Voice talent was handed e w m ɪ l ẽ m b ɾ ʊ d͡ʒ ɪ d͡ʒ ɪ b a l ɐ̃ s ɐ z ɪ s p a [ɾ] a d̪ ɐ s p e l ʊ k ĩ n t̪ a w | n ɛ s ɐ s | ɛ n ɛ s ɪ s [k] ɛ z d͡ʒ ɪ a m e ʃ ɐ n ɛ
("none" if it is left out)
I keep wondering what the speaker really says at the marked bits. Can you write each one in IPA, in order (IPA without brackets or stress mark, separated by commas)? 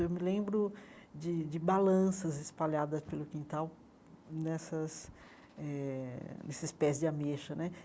ʎ, p